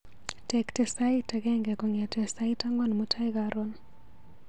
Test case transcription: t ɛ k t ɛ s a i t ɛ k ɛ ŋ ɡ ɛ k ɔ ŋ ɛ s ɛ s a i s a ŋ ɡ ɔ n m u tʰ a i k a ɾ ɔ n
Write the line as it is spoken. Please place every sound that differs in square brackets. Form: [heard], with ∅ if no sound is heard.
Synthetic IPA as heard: t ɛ k t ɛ s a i t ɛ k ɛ ŋ ɡ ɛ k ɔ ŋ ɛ [t] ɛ s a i [t] a ŋ ɡ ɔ n m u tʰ a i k a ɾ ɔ n

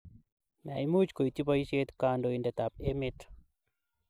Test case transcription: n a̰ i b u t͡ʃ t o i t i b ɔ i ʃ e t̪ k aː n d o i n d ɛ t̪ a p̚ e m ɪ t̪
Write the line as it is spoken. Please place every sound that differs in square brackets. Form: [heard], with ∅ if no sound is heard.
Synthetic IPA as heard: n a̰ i [m] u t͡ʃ [k] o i t i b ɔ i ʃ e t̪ k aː n d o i n d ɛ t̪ a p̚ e m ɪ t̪

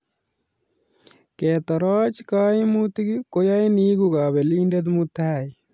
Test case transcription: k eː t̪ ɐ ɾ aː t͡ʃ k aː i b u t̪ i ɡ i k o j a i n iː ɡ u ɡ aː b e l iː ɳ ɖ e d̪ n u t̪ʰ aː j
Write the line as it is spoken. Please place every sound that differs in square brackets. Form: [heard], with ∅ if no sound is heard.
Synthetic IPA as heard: k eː t̪ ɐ ɾ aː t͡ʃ k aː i [m] u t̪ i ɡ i k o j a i n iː ɡ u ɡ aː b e l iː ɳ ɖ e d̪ [m] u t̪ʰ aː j

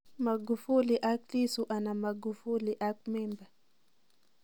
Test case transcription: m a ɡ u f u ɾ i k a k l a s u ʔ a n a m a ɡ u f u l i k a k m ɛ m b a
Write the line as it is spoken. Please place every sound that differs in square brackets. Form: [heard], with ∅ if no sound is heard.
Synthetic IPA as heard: m a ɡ u f u [l] i [ʔ] a k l [i] s u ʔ a n a m a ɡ u f u l i [ʔ] a k m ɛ m b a

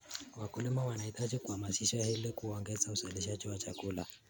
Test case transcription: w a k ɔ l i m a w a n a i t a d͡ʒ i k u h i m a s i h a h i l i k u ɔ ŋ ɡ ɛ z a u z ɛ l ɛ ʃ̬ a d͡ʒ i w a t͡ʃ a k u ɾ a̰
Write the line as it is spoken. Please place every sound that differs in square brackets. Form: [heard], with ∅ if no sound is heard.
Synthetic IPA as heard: w a k [u] l i m a w a n a i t a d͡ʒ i k u h [a] m a s i [ʃ] a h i l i k u ɔ ŋ ɡ ɛ z a u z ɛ l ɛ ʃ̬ a d͡ʒ i w a t͡ʃ a k u [l] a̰

